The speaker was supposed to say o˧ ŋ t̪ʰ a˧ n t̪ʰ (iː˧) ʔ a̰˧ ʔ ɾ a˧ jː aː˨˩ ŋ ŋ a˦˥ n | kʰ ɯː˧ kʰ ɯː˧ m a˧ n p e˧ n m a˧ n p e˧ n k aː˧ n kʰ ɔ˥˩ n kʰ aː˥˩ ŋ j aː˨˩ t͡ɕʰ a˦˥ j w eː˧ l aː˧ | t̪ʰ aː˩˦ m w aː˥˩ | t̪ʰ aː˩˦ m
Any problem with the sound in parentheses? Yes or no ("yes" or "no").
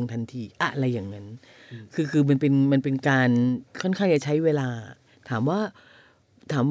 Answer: no